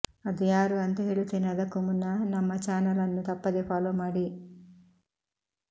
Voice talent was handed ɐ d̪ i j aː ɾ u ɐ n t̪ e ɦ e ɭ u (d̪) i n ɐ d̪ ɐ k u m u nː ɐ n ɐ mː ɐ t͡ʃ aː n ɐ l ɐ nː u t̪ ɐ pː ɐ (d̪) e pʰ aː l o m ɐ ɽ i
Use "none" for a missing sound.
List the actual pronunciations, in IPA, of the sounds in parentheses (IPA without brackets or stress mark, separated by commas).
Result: t̪, d̪